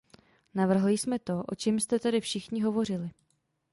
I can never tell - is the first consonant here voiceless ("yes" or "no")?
no